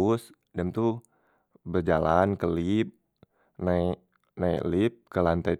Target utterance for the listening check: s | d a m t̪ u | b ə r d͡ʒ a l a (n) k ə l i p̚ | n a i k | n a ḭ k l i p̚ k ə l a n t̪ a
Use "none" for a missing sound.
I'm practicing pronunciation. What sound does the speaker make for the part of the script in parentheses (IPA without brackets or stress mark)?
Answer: n